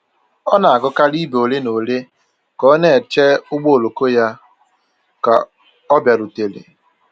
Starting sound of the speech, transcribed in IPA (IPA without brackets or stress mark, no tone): ɔ